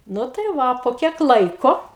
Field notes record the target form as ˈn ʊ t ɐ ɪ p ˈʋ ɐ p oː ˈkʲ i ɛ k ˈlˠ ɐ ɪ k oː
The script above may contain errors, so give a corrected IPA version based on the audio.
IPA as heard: ˈn ʊ t ɐ ɪ ˈʋ ɐ p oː ˈkʲ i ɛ k ˈlˠ ɐ ɪ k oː